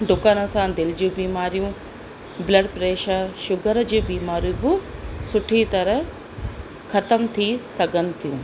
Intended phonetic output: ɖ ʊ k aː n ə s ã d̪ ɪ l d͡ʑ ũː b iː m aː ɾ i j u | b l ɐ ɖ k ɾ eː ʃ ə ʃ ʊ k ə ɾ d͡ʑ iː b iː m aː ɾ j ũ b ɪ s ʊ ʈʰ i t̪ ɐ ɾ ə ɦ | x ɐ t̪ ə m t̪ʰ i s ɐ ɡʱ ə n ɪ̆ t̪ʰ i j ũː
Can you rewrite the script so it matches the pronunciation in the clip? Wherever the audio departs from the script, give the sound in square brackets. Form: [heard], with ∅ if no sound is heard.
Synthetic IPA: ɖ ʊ k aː n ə s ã d̪ ɪ l d͡ʑ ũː b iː m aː ɾ i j [ũ] | b l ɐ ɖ [p] ɾ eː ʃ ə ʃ ʊ [ɡ] ə ɾ d͡ʑ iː b iː m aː ɾ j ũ b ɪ s ʊ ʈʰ i t̪ ɐ ɾ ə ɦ | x ɐ t̪ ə m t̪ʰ i s ɐ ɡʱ ə n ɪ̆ t̪ʰ i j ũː